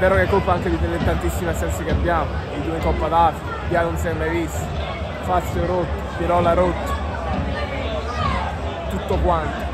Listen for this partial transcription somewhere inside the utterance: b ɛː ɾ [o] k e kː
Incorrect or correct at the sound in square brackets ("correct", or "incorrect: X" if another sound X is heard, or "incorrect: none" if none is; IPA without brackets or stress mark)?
correct